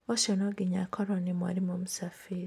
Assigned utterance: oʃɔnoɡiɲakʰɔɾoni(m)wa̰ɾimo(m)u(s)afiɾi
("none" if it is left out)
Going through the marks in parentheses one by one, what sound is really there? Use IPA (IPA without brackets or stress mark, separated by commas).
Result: m, m, s